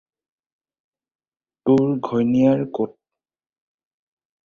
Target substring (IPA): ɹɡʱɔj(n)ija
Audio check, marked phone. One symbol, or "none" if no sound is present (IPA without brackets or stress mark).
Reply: n